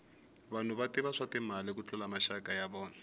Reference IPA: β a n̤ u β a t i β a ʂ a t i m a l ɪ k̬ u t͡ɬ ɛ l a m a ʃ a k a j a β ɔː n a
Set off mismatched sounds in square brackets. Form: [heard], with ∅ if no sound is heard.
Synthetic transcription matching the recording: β a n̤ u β a t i β a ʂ a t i m a l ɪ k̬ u t͡ɬ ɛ l a m a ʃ a k a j a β ɔː n a